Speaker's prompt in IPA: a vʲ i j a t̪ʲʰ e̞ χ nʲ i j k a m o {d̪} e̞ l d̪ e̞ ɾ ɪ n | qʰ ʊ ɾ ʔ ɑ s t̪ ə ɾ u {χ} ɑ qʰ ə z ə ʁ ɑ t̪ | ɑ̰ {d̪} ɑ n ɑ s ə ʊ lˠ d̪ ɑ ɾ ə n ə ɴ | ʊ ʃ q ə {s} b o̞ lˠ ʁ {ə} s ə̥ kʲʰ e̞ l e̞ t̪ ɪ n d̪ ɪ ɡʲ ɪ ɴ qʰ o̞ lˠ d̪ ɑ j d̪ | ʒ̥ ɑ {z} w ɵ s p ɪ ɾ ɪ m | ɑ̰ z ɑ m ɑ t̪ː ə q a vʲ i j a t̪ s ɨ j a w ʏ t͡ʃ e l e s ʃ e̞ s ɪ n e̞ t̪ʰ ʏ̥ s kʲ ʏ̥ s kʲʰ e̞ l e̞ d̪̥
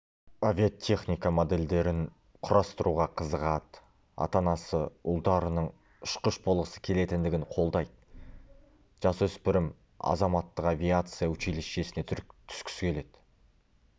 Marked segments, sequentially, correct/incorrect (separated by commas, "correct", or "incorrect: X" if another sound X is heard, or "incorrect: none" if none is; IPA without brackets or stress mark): correct, incorrect: ʁ, incorrect: t̪, incorrect: ʃ, correct, incorrect: s